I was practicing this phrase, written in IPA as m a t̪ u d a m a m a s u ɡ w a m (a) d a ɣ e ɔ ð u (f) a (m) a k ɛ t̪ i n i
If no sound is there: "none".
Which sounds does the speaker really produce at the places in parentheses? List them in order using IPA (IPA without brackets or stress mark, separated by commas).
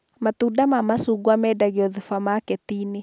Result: ɛ, f, m